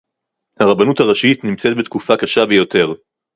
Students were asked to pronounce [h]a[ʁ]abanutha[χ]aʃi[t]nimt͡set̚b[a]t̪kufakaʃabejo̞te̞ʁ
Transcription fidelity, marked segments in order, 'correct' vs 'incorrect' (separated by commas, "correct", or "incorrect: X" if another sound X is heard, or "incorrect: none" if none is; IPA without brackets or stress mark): correct, correct, incorrect: ʁ, correct, incorrect: e